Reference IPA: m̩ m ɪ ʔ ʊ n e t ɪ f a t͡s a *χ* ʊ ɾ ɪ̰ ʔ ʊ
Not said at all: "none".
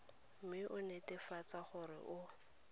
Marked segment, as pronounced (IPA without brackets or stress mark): χ